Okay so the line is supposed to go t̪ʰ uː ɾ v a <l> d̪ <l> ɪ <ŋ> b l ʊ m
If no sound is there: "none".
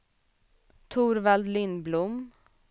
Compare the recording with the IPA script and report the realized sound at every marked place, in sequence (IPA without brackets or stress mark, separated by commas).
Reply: l, l, n